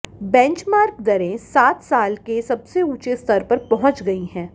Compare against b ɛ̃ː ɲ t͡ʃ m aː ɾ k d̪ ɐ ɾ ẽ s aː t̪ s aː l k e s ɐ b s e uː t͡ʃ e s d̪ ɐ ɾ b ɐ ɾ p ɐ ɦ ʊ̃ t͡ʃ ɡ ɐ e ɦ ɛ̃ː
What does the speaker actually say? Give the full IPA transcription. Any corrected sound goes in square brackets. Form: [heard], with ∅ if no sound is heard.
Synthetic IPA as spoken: b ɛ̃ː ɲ t͡ʃ m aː ɾ k d̪ ɐ ɾ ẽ s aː t̪ s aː l k e s ɐ b s e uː t͡ʃ e s [t̪] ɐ ɾ [p] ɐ ɾ p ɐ ɦ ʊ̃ t͡ʃ ɡ ɐ [i] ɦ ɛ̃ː